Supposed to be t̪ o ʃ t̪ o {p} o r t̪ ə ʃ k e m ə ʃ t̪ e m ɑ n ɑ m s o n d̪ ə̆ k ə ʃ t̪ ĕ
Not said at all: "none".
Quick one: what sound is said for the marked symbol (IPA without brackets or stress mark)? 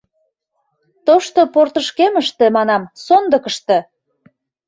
p